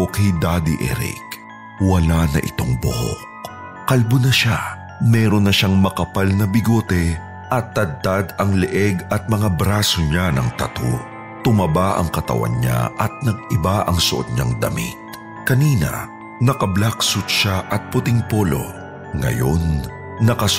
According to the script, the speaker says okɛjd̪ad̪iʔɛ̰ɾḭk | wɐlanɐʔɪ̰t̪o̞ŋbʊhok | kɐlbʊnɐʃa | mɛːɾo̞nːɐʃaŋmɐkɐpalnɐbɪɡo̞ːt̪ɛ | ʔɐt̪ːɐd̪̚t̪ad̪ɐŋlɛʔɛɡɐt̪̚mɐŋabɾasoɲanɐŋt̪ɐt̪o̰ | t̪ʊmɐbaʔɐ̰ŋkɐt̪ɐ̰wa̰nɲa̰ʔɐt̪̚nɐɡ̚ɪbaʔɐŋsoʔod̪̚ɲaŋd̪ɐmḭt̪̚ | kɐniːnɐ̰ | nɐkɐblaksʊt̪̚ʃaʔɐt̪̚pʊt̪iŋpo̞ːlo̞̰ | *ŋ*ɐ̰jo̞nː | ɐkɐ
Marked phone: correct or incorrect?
correct